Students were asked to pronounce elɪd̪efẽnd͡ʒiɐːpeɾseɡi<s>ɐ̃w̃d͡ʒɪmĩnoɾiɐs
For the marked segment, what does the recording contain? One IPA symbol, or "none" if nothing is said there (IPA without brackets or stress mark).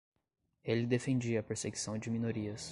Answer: s